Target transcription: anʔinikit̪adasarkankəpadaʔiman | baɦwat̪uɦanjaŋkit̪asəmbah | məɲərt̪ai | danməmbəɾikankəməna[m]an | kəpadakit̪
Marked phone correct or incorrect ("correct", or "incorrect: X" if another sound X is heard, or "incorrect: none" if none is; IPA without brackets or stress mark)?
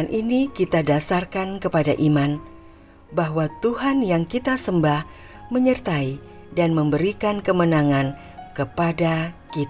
incorrect: ŋ